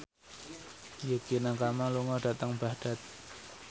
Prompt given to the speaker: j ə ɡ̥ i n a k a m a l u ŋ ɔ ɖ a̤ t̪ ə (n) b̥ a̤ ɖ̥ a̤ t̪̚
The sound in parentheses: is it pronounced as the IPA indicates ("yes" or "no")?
no